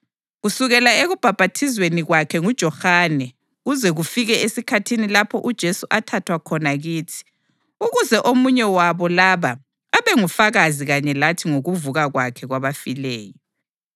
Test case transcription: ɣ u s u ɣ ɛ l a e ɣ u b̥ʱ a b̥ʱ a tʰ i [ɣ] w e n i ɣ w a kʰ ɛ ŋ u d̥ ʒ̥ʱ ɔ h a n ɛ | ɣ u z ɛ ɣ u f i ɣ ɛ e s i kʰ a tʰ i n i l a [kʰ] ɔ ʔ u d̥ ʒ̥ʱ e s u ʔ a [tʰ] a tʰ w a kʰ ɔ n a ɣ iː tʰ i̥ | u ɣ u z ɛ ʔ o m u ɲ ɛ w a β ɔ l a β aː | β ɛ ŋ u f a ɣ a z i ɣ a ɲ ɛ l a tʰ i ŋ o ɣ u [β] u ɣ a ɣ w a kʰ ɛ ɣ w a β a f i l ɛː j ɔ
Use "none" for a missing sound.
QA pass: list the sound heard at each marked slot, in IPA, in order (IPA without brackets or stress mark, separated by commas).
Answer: z, pʰ, tʰ, v